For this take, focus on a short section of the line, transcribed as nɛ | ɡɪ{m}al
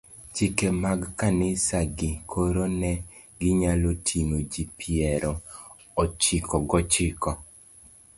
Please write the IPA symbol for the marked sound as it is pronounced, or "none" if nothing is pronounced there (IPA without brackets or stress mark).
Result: ɲ